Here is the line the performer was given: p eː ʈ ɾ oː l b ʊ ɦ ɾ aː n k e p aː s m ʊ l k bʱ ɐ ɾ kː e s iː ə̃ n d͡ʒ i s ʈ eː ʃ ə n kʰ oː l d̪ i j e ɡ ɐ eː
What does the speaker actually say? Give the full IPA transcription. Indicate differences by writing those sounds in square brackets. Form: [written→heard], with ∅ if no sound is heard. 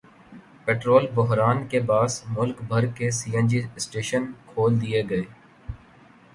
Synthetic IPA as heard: p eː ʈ ɾ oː l b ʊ ɦ ɾ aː n k e [p→b] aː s m ʊ l k bʱ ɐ ɾ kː e s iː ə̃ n d͡ʒ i s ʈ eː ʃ ə n kʰ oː l d̪ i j e ɡ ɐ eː